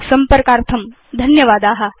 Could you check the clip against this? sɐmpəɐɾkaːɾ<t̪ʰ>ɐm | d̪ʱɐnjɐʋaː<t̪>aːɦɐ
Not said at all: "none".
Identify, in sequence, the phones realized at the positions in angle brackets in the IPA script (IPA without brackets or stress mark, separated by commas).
t̪ʰ, d̪